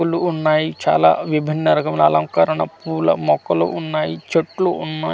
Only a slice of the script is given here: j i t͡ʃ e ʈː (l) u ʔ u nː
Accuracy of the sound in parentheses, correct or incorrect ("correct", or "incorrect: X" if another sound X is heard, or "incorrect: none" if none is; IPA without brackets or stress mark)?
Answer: correct